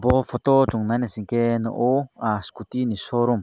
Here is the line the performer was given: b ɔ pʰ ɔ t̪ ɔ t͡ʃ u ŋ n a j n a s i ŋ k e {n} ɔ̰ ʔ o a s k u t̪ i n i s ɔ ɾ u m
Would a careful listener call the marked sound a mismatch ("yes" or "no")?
no